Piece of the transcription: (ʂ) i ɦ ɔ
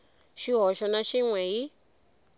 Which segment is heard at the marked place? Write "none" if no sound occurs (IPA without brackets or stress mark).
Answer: ʃ